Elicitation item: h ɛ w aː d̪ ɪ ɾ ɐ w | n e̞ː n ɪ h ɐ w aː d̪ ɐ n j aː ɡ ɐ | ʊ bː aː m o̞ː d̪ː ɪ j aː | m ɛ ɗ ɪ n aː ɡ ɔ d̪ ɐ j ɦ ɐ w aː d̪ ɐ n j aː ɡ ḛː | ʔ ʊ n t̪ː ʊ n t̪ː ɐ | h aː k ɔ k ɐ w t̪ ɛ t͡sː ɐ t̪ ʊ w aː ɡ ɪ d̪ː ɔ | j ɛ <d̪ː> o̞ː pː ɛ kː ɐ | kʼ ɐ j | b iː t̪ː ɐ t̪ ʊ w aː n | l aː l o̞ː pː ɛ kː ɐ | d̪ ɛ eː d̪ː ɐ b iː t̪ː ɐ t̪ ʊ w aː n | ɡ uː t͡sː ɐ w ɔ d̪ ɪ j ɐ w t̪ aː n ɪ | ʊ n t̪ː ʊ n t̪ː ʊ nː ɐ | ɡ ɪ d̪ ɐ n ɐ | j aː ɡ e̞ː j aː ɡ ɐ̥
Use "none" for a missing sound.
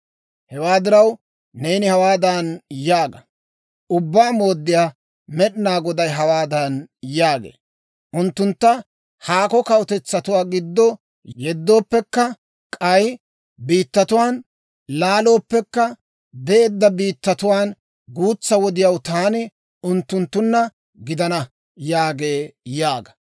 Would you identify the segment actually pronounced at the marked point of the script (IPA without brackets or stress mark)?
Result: d̪ː